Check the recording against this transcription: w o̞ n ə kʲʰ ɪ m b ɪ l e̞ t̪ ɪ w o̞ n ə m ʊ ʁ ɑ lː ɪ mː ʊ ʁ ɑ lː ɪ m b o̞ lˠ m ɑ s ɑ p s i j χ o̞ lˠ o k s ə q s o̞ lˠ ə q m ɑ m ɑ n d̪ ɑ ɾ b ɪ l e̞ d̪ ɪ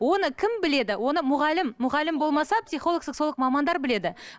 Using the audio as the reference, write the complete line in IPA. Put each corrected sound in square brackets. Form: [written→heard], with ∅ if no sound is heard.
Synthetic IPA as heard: w o̞ n ə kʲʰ ɪ m b ɪ l e̞ [t̪→d̪] ɪ w o̞ n ə m ʊ ʁ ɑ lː ɪ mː ʊ ʁ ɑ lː ɪ m b o̞ lˠ m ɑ s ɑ p s i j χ o̞ lˠ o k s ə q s o̞ lˠ ə q m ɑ m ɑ n d̪ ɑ ɾ b ɪ l e̞ d̪ ɪ